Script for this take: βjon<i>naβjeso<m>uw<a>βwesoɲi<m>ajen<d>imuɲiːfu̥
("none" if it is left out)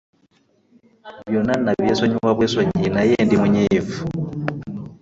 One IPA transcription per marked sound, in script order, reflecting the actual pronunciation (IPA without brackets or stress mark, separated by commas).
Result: a, ɲ, a, n, d